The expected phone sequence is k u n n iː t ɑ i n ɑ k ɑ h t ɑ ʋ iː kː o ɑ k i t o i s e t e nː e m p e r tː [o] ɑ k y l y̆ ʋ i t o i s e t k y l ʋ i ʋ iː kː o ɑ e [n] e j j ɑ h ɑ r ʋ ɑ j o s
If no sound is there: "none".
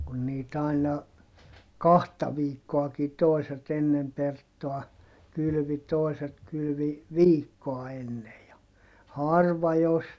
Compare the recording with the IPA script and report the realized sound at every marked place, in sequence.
o, nː

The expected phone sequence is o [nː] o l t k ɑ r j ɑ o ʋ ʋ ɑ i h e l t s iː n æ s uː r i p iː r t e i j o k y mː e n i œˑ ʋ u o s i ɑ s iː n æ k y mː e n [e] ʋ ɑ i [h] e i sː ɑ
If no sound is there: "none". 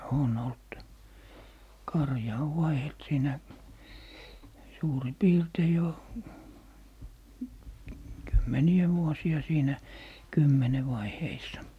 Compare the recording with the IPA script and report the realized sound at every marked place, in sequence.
n, e, h

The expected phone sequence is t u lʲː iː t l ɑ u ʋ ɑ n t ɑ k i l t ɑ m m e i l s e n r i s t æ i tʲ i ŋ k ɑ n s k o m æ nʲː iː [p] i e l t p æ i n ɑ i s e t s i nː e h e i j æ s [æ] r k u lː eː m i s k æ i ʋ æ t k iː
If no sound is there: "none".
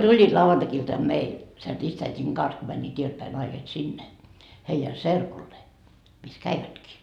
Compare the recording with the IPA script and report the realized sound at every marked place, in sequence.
t, e

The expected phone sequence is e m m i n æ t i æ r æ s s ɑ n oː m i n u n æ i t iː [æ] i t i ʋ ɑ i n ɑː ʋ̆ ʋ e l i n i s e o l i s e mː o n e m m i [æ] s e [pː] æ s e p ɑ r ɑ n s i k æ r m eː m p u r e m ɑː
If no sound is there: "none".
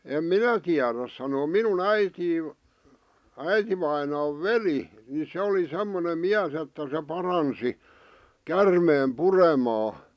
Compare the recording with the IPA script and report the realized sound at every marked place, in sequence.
æ, æ, tː

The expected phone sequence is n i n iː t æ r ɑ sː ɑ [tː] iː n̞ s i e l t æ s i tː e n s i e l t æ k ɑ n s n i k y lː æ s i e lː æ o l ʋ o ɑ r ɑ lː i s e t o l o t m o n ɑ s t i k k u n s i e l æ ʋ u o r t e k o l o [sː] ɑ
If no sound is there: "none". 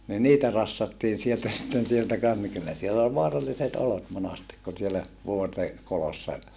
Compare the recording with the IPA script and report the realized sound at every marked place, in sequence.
tː, sː

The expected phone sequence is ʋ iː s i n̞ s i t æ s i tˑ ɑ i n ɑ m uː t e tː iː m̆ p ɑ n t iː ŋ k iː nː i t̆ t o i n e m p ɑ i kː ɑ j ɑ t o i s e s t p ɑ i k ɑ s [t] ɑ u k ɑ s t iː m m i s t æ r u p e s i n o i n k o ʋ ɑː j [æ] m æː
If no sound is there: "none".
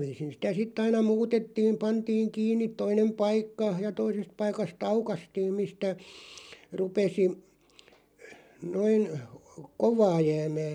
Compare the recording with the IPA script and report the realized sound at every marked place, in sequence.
t, æː

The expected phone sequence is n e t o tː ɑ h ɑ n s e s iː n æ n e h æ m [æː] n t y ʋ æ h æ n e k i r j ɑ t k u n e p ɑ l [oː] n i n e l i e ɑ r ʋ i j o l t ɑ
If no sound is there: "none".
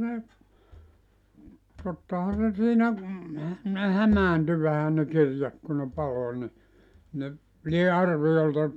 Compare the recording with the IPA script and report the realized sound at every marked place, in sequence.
æː, o

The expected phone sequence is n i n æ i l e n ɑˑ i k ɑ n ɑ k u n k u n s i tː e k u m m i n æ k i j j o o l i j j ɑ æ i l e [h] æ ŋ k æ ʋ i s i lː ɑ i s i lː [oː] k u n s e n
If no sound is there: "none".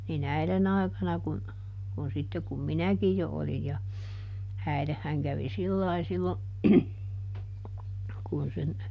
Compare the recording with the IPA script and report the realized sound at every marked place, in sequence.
hː, o

